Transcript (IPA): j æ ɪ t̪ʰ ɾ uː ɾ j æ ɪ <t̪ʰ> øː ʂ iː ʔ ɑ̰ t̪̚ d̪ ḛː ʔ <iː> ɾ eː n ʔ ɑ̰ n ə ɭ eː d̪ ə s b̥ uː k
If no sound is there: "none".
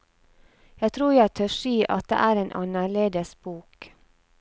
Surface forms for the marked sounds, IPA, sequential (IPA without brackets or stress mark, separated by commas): t̪ʰ, æː